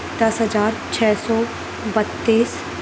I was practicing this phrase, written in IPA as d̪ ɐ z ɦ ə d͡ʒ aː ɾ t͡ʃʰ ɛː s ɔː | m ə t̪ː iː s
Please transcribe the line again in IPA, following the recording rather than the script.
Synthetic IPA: d̪ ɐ s ɦ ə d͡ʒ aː ɾ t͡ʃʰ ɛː s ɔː | b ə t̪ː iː s